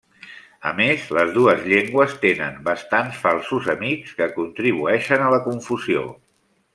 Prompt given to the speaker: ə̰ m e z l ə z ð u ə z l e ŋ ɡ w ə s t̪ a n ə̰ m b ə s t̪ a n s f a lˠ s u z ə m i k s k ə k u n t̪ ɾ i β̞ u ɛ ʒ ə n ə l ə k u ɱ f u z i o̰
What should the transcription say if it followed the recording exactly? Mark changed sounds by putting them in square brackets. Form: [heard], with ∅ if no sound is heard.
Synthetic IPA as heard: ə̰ m e z l ə z ð u ə z [ʎ] e ŋ ɡ w ə s t̪ [e] n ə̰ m b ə s t̪ a n s f a lˠ s u z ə m i k s k ə k u n t̪ ɾ i β̞ u ɛ [ʃ] ə n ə l ə k u ɱ f u z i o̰